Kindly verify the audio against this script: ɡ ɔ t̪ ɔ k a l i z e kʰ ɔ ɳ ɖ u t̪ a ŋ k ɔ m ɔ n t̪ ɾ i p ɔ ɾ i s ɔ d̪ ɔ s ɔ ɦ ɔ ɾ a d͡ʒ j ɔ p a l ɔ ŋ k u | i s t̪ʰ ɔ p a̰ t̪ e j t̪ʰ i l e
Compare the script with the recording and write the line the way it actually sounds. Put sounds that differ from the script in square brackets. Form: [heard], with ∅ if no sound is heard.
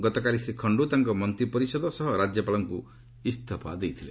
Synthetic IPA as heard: ɡ ɔ t̪ ɔ k a l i [s] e kʰ ɔ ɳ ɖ u t̪ a ŋ k ɔ m ɔ n t̪ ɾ i p ɔ ɾ i s ɔ d̪ ɔ s ɔ ɦ ɔ ɾ a d͡ʒ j ɔ p a l ɔ ŋ k u | i s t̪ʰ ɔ p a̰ [d̪] e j t̪ʰ i l e

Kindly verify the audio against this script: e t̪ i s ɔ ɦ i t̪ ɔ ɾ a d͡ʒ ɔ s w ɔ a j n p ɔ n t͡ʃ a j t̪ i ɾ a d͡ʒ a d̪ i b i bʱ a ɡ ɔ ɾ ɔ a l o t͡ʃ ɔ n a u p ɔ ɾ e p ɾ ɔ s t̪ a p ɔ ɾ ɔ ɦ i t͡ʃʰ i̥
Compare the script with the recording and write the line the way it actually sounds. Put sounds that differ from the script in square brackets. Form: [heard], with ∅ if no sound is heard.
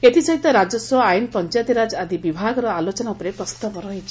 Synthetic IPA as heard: e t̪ i s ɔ ɦ i t̪ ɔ ɾ a d͡ʒ ɔ s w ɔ a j n p ɔ n t͡ʃ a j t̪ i ɾ a d͡ʒ a d̪ i b i bʱ a ɡ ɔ ɾ ɔ a l o t͡ʃ ɔ n a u p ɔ ɾ e p ɾ ɔ s t̪ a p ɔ ɾ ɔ ɦ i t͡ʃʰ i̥

